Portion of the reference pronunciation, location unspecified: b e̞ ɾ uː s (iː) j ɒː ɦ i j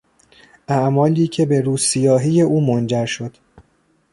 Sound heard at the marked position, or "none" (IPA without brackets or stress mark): i